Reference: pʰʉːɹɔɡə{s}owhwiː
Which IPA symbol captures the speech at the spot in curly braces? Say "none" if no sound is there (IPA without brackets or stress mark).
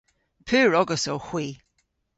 s